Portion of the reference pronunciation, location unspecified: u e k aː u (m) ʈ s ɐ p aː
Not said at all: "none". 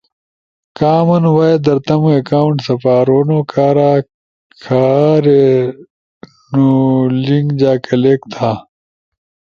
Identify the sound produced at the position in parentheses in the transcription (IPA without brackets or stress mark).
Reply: ɳ